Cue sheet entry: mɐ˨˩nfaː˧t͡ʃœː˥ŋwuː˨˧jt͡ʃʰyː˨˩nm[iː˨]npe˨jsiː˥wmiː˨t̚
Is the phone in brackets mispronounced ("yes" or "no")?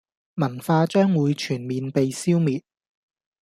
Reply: no